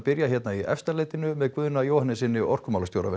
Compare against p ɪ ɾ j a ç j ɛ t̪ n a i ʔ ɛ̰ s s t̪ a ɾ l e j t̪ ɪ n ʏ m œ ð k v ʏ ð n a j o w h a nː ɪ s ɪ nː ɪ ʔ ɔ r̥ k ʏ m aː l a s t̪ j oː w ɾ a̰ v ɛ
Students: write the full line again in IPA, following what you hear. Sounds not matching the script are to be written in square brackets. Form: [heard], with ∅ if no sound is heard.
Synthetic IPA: p ɪ ɾ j a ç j ɛ t̪ n a i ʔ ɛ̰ [f] s t̪ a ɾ l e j t̪ ɪ n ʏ m [ɛ] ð k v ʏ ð n a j o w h a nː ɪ s ɪ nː ɪ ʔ ɔ r̥ k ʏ m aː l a s t̪ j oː w ɾ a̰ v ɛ